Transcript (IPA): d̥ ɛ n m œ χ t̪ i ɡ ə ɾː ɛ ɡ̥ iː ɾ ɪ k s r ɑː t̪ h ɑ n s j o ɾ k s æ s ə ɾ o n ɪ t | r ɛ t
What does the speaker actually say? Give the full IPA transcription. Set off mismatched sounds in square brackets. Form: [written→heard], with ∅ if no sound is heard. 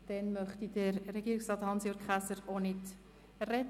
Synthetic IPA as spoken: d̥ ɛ n m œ χ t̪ i [ɡ→d] ə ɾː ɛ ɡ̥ iː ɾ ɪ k s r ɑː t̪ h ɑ n s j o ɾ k [s→χ] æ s ə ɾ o n ɪ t | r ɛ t

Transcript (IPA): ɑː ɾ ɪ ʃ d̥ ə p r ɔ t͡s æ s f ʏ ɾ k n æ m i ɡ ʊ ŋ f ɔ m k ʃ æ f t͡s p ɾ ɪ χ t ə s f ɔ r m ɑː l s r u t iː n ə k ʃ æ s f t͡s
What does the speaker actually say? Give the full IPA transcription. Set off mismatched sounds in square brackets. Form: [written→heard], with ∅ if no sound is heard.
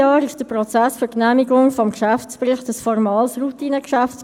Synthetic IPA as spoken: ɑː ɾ ɪ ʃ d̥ ə p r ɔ t͡s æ s f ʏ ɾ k n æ m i ɡ ʊ ŋ f ɔ m k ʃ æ f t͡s p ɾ ɪ χ t ə s f ɔ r m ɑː l s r u t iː n ə k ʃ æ [s→∅] f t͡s

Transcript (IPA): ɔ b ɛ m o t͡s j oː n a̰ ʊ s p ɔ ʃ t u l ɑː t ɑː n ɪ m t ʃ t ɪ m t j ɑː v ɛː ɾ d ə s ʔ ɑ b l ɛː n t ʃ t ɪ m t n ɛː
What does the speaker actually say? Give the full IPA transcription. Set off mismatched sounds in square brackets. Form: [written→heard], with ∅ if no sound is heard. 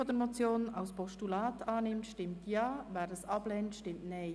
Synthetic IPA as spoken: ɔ [b→d] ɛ m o t͡s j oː n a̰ ʊ s p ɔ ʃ t u l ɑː t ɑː n ɪ m t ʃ t ɪ m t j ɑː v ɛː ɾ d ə s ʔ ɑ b l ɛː n t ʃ t ɪ m t n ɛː

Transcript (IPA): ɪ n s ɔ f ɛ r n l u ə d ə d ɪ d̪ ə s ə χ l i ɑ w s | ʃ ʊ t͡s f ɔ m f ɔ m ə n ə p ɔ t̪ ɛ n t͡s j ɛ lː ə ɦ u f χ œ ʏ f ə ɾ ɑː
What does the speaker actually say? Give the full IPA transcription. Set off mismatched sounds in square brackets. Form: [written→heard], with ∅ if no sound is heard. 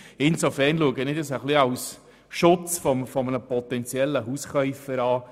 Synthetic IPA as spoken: ɪ n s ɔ f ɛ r n l u ə [d→ɡ] ə [d→n] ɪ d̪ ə s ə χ l i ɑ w s | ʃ ʊ t͡s f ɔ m f ɔ m ə n ə p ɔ t̪ ɛ n t͡s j ɛ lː ə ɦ u [f→s] χ œ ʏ f ə ɾ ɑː

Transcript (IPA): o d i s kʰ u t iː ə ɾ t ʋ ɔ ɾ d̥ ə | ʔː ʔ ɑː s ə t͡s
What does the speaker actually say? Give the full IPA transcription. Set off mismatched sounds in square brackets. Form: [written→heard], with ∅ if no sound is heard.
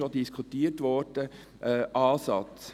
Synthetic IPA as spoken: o d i s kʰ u t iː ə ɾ t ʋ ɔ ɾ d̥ ə | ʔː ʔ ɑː s [ə→ɑ] t͡s

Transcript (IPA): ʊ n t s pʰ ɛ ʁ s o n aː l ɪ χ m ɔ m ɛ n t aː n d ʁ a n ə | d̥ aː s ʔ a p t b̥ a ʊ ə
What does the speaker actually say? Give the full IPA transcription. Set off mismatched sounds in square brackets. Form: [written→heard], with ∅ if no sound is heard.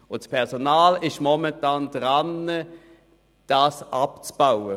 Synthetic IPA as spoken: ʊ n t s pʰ ɛ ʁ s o n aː l ɪ [χ→ʃ] m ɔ m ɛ n t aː n d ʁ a n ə | d̥ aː s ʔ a p [t→t͡s] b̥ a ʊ ə

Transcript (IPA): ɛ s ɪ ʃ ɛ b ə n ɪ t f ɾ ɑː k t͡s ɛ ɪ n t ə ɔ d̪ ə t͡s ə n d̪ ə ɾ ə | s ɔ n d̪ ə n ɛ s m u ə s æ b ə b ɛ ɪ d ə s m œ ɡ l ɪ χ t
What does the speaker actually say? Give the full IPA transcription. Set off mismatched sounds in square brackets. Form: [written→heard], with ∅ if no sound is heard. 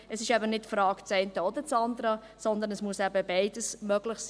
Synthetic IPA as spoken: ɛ s ɪ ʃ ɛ b ə n ɪ t f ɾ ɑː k t͡s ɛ ɪ n t ə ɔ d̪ ə t͡s [ə→ɑ] n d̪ ə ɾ ə | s ɔ n d̪ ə n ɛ s m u ə s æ b ə b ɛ ɪ d ə s m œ ɡ l ɪ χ [t→s]

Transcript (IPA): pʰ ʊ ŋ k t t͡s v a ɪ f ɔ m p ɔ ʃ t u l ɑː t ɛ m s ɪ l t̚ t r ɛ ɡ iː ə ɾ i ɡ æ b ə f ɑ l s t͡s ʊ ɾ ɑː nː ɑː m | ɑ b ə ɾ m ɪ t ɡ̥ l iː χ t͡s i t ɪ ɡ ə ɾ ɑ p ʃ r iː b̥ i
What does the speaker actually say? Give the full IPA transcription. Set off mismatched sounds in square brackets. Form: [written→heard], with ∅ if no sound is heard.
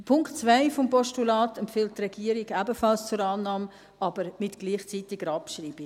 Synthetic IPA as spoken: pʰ ʊ ŋ k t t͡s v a ɪ f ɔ m p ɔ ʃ t u l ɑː t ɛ m [s→f] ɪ l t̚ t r ɛ ɡ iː ə ɾ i ɡ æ b ə f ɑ l s t͡s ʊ ɾ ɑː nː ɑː m | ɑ b ə ɾ m ɪ t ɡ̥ l iː χ t͡s i t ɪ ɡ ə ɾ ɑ p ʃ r iː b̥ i

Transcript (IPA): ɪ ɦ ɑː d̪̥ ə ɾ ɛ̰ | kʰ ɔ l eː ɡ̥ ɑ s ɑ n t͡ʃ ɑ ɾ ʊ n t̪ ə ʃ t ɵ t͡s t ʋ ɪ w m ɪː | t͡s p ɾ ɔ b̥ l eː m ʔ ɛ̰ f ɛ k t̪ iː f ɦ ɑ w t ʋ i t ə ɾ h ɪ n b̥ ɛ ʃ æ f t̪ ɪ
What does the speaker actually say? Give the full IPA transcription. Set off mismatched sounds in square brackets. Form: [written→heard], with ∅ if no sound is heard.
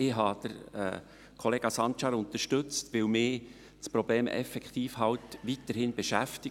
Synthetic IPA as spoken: ɪ ɦ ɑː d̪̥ ə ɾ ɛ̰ | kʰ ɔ l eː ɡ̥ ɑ s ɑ n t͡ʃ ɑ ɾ ʊ n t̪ ə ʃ t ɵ t͡s t ʋ ɪ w m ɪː | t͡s p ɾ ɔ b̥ l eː m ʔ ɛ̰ f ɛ k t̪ iː f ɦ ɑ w t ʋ i t ə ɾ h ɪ n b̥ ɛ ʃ æ f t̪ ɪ

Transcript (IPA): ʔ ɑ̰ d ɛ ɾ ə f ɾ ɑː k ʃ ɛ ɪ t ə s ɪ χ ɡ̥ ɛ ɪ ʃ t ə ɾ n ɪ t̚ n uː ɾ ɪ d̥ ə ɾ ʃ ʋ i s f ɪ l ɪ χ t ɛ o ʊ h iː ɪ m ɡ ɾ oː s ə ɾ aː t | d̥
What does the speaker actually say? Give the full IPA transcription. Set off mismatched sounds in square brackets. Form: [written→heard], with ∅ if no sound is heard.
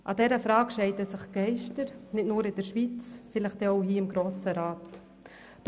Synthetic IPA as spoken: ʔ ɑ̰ d ɛ ɾ ə f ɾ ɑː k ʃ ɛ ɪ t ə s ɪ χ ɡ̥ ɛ ɪ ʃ t ə ɾ n ɪ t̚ n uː ɾ ɪ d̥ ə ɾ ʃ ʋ i [s→t͡s] f ɪ l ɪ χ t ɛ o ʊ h iː ɪ m ɡ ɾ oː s ə ɾ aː t | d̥

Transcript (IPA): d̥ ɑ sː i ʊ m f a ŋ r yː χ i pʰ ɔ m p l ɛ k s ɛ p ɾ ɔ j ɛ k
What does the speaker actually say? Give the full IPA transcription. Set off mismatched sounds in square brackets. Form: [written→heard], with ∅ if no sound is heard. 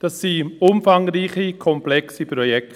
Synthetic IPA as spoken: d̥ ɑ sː i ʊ m f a ŋ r [yː→iː] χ i [pʰ→kʰ] ɔ m p l ɛ k s [ɛ→i] p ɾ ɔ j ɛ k

